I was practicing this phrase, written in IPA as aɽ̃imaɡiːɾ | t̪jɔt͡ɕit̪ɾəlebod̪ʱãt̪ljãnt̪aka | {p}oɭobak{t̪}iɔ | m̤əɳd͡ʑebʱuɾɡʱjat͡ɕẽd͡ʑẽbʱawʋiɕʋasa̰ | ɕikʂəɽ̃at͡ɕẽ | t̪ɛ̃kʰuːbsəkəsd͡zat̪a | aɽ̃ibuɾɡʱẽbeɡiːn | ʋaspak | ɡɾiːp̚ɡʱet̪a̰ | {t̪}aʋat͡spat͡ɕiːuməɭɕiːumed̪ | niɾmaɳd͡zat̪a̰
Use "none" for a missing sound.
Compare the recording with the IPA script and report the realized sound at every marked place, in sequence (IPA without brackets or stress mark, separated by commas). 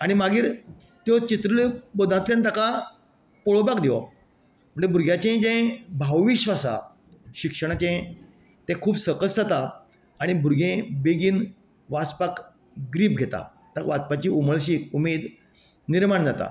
p, d̪, t̪